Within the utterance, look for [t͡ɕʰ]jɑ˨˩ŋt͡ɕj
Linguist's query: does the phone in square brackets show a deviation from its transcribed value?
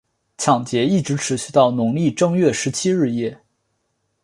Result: no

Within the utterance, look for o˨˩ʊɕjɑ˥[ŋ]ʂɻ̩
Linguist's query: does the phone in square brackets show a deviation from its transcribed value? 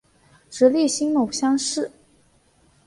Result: no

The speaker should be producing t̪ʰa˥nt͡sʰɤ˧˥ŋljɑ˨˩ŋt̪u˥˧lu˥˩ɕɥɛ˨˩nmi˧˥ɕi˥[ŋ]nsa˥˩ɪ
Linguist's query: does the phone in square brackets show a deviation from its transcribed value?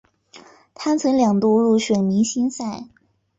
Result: yes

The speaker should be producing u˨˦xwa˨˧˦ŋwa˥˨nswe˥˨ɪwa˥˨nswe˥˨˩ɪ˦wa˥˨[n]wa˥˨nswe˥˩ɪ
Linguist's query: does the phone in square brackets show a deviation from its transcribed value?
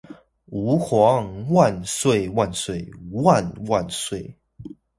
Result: no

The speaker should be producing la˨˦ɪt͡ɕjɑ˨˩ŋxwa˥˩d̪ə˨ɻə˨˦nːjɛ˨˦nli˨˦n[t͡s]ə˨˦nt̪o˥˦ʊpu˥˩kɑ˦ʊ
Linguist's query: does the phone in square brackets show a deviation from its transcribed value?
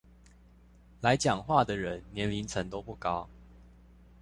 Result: yes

